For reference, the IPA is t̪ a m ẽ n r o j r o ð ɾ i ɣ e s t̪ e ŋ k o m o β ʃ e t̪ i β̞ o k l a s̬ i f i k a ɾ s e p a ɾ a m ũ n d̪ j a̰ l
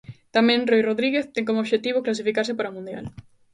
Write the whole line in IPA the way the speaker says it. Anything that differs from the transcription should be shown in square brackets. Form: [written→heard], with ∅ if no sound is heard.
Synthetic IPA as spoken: t̪ a m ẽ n r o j r o ð ɾ i ɣ e [s→θ] t̪ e ŋ k o m o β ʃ e t̪ i β̞ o k l a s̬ i f i k a ɾ s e p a ɾ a m ũ n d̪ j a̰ l